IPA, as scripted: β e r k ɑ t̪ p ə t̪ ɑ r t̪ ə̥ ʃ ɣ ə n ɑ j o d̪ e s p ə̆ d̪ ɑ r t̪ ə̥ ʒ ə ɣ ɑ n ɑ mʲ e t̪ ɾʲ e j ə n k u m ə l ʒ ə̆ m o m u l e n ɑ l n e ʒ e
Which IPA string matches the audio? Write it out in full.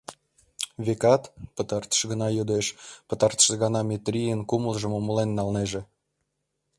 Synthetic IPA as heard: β e k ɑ t̪ p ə t̪ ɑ r t̪ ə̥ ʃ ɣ ə n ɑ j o d̪ e ʃ p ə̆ t̪ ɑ r t̪ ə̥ ʃ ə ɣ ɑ n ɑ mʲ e t̪ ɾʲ i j ə n k u m ə l ʒ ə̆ m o m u l e nː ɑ l n e ʒ e